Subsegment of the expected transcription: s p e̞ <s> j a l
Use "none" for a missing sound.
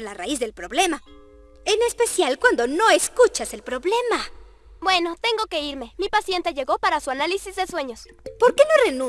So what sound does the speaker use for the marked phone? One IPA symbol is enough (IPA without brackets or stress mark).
s